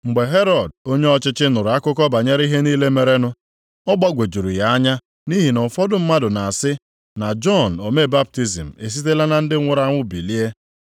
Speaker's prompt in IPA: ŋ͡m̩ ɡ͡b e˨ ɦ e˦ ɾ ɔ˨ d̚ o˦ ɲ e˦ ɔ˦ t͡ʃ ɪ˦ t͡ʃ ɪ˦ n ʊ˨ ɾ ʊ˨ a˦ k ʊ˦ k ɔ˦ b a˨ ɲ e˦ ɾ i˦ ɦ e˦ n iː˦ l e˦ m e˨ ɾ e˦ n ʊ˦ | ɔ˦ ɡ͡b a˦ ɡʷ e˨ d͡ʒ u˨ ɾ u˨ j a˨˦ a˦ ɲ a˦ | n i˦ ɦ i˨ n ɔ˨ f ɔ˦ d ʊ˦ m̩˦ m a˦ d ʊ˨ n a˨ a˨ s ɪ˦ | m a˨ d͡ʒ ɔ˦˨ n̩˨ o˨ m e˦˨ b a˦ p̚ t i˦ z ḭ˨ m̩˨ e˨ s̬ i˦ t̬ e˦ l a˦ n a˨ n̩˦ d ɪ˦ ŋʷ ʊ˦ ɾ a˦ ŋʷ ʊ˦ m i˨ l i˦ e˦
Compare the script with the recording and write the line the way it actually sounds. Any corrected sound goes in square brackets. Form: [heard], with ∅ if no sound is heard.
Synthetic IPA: ŋ͡m̩ ɡ͡b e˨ ɦ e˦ ɾ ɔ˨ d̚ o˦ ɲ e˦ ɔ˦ t͡ʃ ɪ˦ t͡ʃ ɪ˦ n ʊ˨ ɾ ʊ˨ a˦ k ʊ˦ k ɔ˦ b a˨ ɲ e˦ ɾ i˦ ɦ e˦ n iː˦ l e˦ m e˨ ɾ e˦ n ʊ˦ | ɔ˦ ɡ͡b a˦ ɡʷ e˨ d͡ʒ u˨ ɾ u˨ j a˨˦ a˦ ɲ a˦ | n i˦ ɦ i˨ n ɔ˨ f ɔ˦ d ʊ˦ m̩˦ m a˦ d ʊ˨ n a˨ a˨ s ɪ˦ | [n] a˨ d͡ʒ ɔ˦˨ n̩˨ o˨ m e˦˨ b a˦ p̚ t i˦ z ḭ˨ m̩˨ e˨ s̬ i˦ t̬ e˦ l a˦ n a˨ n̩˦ d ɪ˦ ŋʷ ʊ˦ ɾ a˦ ŋʷ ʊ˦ [b] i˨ l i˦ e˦